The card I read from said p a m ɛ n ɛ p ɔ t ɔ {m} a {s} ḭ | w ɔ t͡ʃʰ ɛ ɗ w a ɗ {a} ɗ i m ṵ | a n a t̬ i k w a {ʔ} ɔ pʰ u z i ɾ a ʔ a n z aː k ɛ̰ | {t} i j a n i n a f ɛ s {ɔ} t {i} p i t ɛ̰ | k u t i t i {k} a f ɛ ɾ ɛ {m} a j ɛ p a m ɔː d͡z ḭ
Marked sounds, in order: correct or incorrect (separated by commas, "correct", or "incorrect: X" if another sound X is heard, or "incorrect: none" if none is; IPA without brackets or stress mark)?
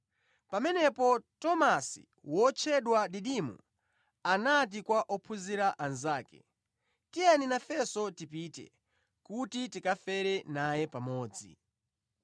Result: correct, correct, incorrect: i, correct, correct, correct, correct, correct, incorrect: n